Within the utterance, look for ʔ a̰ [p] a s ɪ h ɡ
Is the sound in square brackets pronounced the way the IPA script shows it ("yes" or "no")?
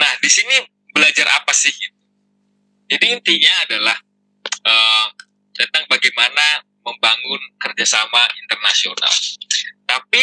yes